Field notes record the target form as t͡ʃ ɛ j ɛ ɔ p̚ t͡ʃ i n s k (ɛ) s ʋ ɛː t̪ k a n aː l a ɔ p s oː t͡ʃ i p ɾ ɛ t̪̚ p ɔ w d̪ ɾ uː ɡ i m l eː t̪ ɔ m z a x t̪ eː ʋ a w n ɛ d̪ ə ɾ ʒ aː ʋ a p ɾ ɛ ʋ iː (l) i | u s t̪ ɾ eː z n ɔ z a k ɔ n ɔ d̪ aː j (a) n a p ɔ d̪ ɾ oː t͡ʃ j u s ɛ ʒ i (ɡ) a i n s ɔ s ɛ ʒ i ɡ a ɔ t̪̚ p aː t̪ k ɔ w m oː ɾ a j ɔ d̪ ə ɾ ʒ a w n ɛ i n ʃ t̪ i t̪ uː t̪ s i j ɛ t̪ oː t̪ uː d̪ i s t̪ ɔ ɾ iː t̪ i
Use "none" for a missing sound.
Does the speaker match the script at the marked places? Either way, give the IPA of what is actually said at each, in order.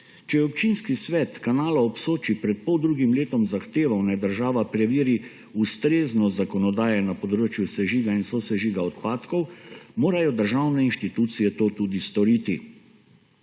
i, ɾ, ɛ, ɡ

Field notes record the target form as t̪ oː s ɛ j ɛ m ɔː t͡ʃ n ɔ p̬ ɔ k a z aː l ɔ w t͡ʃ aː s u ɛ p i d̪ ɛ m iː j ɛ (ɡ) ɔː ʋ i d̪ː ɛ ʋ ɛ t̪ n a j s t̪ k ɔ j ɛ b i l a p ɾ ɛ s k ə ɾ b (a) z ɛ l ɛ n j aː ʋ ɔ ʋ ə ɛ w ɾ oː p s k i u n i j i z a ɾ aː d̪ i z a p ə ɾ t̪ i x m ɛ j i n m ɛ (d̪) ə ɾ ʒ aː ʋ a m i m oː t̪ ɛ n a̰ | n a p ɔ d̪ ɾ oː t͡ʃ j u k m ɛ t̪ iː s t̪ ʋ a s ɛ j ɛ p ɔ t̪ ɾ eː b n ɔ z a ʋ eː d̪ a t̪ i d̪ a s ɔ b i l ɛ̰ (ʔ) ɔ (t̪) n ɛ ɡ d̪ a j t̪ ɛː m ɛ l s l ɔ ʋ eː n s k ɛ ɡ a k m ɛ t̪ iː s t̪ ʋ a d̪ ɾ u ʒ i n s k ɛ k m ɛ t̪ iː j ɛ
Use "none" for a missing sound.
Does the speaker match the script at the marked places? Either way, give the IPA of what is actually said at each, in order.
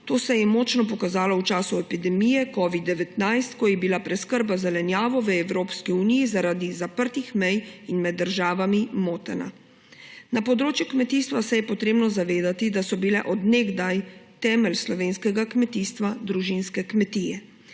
k, a, d̪ː, ʔ, d̪

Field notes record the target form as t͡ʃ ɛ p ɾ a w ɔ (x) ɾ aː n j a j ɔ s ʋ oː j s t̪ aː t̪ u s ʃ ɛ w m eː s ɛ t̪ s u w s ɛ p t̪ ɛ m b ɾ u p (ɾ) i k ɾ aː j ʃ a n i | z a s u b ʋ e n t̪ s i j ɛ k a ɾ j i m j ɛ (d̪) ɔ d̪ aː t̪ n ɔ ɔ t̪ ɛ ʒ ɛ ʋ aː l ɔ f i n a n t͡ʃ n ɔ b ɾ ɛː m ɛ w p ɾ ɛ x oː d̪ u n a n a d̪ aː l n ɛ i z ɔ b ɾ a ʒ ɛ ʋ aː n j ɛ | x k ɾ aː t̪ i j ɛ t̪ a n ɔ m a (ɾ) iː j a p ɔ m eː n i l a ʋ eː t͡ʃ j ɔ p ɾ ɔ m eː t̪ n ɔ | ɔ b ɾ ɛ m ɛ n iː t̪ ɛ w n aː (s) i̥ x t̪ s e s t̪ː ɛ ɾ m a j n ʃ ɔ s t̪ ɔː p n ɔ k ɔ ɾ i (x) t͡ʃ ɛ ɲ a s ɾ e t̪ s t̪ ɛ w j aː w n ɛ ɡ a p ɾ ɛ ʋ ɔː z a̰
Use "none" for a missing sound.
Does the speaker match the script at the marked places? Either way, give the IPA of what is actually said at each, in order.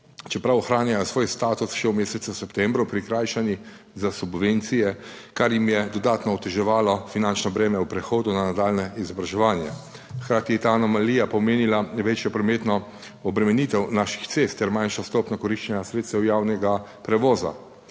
x, ɾ, d̪, l, ʃ, ʃ

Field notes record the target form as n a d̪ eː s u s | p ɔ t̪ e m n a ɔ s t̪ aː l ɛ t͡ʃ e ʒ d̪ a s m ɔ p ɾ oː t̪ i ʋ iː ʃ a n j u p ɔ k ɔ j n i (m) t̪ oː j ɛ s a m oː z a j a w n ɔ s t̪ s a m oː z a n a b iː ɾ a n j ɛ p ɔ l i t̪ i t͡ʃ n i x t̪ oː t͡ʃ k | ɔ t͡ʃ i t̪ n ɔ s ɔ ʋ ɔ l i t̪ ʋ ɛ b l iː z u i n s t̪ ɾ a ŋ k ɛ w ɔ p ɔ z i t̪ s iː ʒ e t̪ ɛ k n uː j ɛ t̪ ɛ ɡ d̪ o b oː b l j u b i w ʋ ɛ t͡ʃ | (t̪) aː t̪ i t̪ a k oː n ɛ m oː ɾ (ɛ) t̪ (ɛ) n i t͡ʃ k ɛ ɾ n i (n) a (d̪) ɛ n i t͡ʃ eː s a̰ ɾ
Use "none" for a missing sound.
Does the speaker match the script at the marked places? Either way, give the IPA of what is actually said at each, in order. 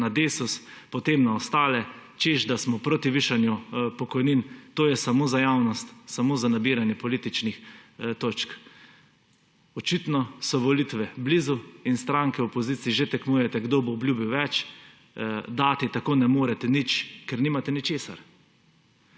n, d̪, ɛ, ɛ, m, t̪

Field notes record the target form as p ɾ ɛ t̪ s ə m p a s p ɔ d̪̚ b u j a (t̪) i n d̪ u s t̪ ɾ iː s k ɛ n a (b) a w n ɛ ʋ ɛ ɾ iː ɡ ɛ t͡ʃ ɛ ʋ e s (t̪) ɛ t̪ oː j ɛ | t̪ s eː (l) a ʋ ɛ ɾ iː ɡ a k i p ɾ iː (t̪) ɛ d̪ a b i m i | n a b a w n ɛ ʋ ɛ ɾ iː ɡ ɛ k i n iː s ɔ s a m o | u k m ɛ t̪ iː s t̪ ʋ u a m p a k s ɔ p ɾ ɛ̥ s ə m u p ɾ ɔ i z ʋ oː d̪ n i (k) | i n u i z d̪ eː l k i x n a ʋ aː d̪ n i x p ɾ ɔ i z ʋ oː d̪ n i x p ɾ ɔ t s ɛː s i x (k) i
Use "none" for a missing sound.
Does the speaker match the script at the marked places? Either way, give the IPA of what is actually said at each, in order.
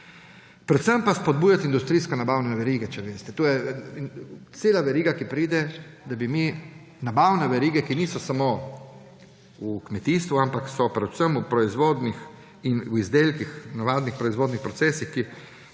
t̪, b, t̪, l, d̪, x, k

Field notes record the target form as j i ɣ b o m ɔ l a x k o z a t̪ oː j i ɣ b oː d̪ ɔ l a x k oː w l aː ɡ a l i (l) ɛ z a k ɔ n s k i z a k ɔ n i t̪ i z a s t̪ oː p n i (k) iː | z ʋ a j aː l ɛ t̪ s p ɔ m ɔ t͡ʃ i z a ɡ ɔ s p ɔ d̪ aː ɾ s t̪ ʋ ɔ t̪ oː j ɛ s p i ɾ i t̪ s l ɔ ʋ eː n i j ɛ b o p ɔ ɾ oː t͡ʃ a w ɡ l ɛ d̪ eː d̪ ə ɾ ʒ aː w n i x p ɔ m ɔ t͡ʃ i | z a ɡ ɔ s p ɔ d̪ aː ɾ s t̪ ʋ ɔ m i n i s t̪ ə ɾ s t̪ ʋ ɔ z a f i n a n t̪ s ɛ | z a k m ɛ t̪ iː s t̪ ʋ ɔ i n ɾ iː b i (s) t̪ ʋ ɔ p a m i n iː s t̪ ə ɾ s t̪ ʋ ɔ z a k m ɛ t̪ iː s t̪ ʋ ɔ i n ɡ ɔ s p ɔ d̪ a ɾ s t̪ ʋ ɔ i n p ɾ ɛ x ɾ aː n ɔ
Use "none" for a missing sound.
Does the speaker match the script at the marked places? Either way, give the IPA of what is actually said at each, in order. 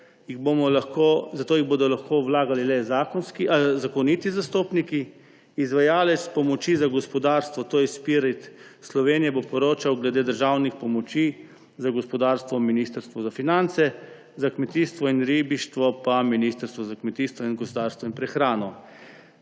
l, k, ʃ

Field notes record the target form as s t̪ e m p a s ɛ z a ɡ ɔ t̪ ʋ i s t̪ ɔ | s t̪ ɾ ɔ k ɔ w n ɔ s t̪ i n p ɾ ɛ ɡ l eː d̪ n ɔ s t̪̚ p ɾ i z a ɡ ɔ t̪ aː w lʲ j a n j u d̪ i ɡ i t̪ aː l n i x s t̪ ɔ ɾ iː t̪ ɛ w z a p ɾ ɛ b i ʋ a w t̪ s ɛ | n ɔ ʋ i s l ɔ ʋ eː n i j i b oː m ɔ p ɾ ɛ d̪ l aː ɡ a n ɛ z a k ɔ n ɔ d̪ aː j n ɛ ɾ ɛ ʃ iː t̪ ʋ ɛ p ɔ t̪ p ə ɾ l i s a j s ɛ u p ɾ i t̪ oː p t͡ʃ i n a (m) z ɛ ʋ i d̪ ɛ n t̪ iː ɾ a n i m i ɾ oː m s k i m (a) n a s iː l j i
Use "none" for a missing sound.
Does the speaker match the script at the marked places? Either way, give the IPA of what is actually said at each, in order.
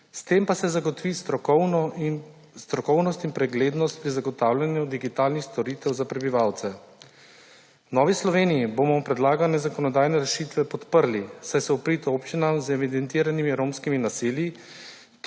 m, i

